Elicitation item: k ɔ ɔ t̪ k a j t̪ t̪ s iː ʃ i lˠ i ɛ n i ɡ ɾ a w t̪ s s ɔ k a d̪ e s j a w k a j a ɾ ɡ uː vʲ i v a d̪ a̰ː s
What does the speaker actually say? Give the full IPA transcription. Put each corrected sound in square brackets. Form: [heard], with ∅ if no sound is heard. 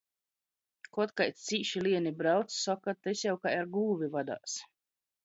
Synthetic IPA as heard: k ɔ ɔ t̪ k a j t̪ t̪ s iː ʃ i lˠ i ɛ n i [b] ɾ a w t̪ s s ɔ k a [t̪] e s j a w k a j a ɾ ɡ uː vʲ i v a d̪ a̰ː s